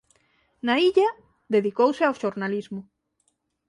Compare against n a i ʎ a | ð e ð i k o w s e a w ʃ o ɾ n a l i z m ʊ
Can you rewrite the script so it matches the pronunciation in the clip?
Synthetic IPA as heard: n a i ʎ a | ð e ð i k o w s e a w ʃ o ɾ n a l i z m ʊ